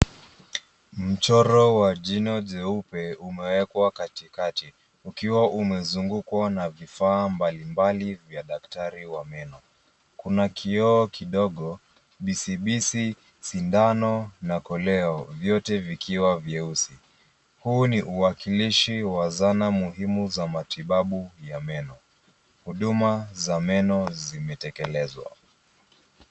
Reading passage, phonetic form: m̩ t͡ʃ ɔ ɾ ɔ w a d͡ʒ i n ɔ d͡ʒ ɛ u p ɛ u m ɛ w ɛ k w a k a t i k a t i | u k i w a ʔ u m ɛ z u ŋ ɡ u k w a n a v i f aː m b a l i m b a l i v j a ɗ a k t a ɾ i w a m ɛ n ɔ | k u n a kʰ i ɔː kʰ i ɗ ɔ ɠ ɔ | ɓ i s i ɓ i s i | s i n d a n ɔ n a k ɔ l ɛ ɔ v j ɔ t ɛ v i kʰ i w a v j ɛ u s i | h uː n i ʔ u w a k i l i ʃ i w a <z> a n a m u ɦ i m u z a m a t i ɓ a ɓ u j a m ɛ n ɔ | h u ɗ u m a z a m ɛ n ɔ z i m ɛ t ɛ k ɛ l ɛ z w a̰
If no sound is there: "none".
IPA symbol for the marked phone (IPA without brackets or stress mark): z